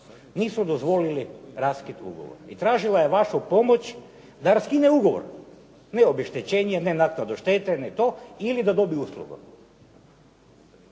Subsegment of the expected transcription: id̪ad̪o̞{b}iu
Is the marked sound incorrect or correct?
correct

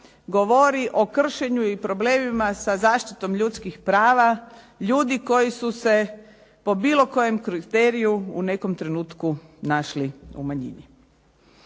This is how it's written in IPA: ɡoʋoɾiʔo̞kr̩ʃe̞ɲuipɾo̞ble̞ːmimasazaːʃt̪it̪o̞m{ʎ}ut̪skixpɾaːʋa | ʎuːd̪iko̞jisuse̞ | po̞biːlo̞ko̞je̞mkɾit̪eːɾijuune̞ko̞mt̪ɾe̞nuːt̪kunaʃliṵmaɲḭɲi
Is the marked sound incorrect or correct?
correct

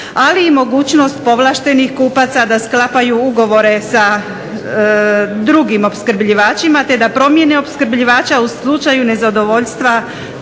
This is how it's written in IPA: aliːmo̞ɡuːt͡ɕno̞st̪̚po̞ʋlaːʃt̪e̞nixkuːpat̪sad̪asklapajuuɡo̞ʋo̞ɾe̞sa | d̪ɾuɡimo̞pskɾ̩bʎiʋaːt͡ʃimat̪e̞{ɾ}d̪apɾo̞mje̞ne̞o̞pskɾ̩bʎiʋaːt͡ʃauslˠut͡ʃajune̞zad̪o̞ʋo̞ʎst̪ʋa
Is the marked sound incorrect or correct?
incorrect: none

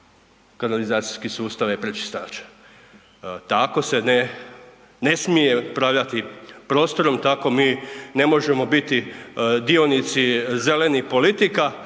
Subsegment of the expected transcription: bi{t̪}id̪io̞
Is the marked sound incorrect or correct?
correct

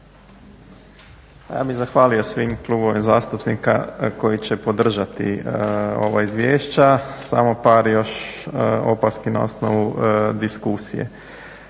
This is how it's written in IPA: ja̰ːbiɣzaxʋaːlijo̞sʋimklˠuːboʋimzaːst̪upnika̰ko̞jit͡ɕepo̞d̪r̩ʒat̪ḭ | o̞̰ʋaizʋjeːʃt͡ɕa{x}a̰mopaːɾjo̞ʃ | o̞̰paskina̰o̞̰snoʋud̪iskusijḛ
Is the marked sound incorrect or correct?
incorrect: s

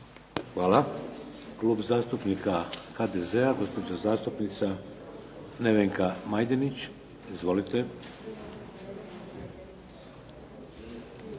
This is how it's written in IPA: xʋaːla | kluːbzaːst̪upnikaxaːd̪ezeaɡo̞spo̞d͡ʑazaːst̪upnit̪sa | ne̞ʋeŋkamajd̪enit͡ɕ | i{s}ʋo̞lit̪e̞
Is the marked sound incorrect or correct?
incorrect: z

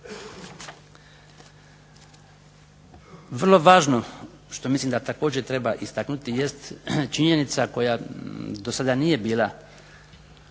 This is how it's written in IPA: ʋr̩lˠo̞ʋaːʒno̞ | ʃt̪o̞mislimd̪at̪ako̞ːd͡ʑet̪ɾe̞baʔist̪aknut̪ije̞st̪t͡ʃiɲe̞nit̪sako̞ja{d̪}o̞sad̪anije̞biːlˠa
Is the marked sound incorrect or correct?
correct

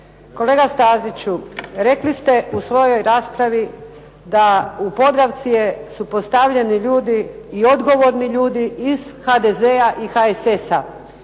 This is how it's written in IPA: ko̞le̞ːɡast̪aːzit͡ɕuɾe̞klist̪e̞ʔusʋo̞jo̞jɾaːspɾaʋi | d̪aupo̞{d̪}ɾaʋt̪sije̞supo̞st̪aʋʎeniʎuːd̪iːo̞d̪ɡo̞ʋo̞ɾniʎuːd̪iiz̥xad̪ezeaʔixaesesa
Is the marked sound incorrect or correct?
correct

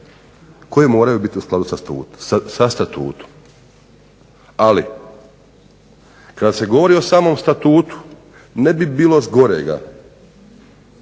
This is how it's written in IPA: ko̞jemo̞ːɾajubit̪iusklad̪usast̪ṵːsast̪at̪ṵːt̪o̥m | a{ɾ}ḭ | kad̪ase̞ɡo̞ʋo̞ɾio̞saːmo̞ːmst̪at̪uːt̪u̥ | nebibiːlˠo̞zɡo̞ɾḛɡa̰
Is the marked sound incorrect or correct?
incorrect: l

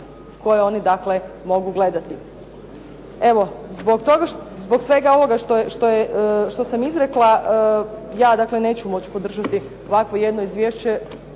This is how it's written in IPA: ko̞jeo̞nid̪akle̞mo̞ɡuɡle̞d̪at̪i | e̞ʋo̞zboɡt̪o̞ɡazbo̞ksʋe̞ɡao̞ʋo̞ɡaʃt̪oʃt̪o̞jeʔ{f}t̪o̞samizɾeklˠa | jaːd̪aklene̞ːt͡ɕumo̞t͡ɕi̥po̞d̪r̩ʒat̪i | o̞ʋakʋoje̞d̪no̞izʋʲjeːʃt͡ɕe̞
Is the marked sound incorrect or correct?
incorrect: ʃ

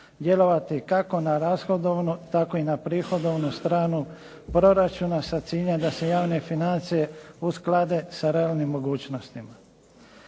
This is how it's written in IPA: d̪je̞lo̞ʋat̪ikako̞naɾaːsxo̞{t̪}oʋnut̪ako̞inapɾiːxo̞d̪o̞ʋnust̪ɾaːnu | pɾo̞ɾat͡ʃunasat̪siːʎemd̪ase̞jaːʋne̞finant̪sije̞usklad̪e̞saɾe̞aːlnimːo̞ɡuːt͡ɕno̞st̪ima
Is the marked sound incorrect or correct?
incorrect: d̪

